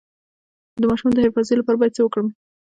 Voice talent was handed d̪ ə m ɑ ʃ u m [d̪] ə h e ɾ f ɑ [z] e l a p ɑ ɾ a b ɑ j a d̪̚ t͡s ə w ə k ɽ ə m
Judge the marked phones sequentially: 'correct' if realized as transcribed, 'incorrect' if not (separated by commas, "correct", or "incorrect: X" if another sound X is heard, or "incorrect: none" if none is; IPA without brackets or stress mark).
correct, correct